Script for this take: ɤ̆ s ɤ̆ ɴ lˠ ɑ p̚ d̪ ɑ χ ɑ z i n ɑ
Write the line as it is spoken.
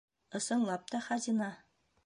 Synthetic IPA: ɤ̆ s ɤ̆ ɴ lˠ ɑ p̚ t̪ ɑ χ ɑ z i n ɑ